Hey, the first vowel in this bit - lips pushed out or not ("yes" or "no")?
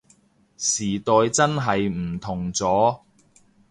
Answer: no